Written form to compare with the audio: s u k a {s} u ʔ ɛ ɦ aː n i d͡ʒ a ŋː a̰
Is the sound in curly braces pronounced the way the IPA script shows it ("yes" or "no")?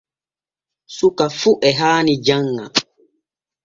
no